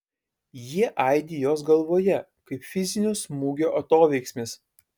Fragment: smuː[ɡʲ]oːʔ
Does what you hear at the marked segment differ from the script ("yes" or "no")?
no